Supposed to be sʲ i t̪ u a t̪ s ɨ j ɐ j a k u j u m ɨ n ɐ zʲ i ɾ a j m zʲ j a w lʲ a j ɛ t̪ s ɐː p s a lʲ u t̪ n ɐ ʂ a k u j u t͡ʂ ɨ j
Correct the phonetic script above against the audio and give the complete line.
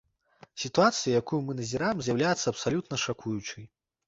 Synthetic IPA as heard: sʲ i t̪ u a t̪ s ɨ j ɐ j a k u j u m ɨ n ɐ zʲ i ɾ a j m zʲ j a w lʲ a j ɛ t̪ sː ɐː p s a lʲ u t̪ n ɐ ʂ a k u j u t͡ʂ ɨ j